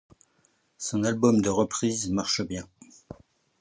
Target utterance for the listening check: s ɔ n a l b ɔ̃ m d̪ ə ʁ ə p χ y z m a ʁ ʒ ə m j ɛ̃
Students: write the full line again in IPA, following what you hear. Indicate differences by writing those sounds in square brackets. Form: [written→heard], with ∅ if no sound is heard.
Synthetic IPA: s [ɔ→ɔ̃] n a l b [ɔ̃→ɔ] m d̪ ə ʁ ə p χ [y→i] z m a ʁ [ʒ→ʃ] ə [m→b] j ɛ̃

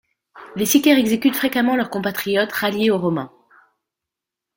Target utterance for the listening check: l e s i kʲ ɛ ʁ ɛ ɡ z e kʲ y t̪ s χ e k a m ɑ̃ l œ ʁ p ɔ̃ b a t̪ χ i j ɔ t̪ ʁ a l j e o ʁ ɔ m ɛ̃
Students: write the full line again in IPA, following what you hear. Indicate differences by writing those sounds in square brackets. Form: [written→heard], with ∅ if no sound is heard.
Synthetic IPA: l e s i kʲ ɛ ʁ ɛ ɡ z e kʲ y t̪ [s→f] χ e k a m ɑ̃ l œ ʁ [p→k] ɔ̃ [b→p] a t̪ χ i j ɔ t̪ ʁ a l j e o ʁ ɔ m ɛ̃

